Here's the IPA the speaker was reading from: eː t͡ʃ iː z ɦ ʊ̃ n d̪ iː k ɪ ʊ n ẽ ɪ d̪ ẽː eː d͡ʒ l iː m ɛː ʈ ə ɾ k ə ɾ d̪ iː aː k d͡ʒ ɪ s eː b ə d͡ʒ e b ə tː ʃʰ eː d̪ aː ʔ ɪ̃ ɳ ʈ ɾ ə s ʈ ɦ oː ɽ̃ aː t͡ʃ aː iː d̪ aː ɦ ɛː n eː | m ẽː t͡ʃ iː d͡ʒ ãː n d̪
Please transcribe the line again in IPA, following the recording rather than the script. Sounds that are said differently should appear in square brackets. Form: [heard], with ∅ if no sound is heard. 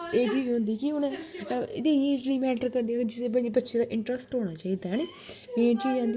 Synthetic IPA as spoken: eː t͡ʃ iː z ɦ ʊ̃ n d̪ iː k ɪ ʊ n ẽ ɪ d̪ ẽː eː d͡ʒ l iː m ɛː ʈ ə ɾ k ə ɾ d̪ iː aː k d͡ʒ ɪ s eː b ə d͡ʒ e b ə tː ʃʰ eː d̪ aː ʔ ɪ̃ ɳ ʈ ɾ ə s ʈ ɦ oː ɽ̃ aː t͡ʃ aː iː d̪ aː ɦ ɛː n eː | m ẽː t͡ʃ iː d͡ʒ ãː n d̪